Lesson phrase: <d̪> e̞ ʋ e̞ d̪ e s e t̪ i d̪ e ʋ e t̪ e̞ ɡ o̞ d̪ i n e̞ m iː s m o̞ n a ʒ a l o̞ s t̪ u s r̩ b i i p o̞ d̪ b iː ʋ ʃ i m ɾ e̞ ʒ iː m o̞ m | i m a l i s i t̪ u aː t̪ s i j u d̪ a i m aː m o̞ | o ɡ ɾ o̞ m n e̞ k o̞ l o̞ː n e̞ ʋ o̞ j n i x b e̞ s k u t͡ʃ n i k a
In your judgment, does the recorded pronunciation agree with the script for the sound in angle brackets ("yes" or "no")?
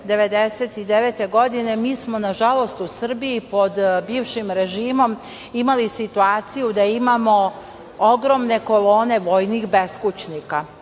yes